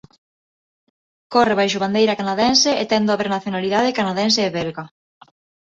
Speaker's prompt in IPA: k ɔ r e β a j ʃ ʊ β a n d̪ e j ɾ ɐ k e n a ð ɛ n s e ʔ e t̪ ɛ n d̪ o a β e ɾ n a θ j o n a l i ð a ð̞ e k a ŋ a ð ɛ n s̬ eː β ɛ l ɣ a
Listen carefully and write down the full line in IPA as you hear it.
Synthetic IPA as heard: k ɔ r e β a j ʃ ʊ β a n d̪ e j ɾ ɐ k a n a ð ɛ n s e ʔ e t̪ ɛ n d̪ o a β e ɾ n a θ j o n a l i ð a ð̞ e k a n a ð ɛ n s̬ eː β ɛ l ɣ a